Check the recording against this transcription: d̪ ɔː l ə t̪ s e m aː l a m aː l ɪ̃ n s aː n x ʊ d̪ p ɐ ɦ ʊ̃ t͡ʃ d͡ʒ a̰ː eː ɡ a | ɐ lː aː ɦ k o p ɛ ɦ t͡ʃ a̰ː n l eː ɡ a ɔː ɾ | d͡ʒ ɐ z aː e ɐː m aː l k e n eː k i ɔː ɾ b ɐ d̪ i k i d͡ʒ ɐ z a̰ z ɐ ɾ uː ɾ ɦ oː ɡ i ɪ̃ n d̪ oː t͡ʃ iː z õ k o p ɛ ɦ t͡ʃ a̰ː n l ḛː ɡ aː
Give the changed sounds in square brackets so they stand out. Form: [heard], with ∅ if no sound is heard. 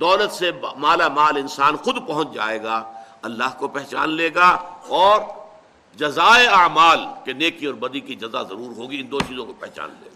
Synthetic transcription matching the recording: d̪ ɔː l ə t̪ s e m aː l a m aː l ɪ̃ n s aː n x ʊ d̪ p ɐ ɦ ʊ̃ t͡ʃ d͡ʒ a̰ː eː ɡ a | ɐ lː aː ɦ k o p ɛ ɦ t͡ʃ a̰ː n l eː ɡ a ɔː ɾ | d͡ʒ ɐ z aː e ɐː m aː l k e n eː k i ɔː ɾ b ɐ d̪ i k i d͡ʒ ɐ z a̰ z ɐ ɾ uː ɾ ɦ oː ɡ i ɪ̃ n d̪ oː t͡ʃ iː z õ k o p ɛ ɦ t͡ʃ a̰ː n l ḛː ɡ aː